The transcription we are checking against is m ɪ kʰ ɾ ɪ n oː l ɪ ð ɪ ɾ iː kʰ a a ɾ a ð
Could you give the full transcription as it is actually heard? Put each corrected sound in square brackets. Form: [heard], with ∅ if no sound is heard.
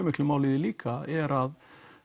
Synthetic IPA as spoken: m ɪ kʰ [l] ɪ [m] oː l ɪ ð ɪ [l] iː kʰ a [ɛ] ɾ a ð

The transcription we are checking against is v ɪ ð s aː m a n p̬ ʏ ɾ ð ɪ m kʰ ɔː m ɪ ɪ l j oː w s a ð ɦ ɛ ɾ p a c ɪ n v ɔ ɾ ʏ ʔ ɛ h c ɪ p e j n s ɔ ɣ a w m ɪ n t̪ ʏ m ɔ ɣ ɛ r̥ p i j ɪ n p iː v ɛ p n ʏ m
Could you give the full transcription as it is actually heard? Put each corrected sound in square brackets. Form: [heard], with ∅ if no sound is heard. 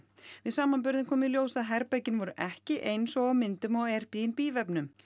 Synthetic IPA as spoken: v ɪ ð s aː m a n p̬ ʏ ɾ ð ɪ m kʰ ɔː m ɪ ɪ l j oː w s a ð ɦ ɛ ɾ p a c ɪ n v ɔ ɾ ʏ ʔ ɛ h c ɪ [ʔ] e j n s ɔ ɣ a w m ɪ n t̪ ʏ m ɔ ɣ ɛ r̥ p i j ɪ n p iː v ɛ p n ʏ m

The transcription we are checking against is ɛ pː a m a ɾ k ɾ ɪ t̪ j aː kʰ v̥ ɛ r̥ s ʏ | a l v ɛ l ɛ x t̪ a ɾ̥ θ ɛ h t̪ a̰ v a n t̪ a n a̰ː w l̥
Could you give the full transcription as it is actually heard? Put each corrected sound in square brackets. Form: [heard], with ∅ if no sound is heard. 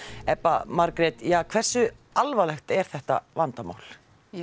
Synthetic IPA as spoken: ɛ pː a m a ɾ k ɾ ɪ t̪ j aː kʰ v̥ ɛ r̥ s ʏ | a l v [a] l ɛ x t̪ [ɛ] ɾ̥ θ ɛ h t̪ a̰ v a n t̪ a [m] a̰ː w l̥

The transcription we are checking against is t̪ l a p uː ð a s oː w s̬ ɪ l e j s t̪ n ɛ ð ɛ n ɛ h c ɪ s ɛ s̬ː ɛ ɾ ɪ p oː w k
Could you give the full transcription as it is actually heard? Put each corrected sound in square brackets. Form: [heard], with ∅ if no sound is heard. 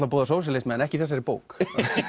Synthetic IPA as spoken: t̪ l a p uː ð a s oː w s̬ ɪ l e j s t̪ [m] ɛ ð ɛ n ɛ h c ɪ [θ] ɛ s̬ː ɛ ɾ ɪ p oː w k

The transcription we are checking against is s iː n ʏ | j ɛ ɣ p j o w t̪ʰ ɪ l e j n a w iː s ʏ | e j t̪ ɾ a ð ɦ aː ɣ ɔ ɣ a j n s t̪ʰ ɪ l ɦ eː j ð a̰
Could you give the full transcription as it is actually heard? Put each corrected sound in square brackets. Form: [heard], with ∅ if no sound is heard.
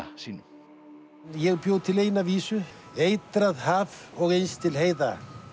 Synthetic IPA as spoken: s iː n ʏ | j ɛ ɣ p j o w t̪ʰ ɪ l e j n a [v] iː s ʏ | e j t̪ ɾ a ð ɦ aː [v] ɔ ɣ [e] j n s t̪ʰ ɪ l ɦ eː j ð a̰

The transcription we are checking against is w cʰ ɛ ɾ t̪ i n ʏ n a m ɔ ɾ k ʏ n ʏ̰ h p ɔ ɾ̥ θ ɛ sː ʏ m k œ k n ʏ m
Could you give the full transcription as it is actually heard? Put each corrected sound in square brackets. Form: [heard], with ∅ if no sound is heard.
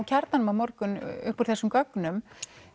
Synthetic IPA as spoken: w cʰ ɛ ɾ t̪ [a] n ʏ [m] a m ɔ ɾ k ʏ n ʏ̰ h p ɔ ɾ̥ θ ɛ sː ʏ m k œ k n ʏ m

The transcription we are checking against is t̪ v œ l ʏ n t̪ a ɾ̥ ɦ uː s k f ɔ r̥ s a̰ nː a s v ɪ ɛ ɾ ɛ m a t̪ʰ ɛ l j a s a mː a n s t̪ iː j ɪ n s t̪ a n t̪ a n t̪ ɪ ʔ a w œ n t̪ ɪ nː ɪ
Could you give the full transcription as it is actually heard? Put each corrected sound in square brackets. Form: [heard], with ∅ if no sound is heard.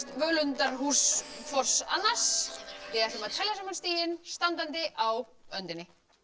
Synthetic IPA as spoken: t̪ v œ l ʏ n t̪ a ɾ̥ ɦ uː s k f ɔ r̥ s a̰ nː a s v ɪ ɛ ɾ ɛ m a t̪ʰ ɛ l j a s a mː a n s t̪ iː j ɪ n s t̪ a n t̪ a n t̪ ɪ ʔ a w œ n t̪ ɪ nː ɪ

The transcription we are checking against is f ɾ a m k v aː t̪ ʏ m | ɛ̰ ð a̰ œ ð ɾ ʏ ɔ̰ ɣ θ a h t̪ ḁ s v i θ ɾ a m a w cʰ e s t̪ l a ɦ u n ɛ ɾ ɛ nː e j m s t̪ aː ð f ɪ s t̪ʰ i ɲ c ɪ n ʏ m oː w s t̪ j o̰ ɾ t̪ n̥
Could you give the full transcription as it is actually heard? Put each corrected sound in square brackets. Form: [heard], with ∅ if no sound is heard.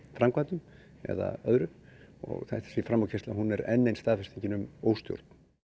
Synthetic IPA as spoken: f ɾ a m k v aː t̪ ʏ m | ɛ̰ ð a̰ œ ð ɾ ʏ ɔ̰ ɣ θ a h t̪ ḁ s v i [f] ɾ a m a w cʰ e s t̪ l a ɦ u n ɛ ɾ ɛ nː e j [n] s t̪ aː ð f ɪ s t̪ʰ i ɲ c ɪ n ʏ m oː w s t̪ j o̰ ɾ t̪ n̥

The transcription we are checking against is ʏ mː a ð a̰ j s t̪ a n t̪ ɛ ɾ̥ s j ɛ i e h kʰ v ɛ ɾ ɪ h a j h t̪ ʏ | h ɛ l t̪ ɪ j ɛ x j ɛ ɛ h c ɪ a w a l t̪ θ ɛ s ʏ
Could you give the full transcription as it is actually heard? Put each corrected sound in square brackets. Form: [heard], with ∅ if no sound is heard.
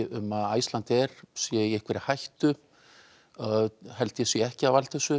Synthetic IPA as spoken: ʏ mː a ð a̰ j s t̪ a n t̪ ɛ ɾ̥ s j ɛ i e h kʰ v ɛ ɾ ɪ h a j h t̪ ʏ | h ɛ l t̪ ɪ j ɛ [s] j ɛ ɛ h c ɪ a [v] a l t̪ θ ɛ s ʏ

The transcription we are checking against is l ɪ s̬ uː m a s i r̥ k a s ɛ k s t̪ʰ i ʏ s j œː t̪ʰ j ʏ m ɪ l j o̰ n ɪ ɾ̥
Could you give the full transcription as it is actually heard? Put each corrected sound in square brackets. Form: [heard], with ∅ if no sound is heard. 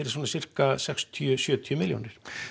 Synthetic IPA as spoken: [ɾ] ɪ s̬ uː [n] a s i r̥ k a s ɛ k s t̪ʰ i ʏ s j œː t̪ʰ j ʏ m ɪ l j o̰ n ɪ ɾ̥

